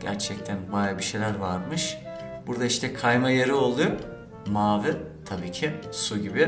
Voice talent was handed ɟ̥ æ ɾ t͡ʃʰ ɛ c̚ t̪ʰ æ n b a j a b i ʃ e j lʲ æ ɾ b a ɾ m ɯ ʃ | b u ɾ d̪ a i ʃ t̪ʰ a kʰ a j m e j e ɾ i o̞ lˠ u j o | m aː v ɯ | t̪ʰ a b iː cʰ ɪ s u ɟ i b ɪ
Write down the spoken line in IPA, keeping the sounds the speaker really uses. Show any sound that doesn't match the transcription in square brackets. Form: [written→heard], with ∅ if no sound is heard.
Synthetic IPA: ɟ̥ æ ɾ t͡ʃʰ ɛ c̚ t̪ʰ æ n b a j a b i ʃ e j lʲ æ ɾ [b→v] a ɾ m ɯ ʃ | b u ɾ d̪ a i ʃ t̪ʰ [a→ɛ] kʰ a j m [e→a] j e ɾ i o̞ lˠ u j o | m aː v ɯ | t̪ʰ a b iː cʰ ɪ s u ɟ i b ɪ